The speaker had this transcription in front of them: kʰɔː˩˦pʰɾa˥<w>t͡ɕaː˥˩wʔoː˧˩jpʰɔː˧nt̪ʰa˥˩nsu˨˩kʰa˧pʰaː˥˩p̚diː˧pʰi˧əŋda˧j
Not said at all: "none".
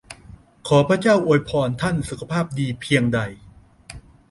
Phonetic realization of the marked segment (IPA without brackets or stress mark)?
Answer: none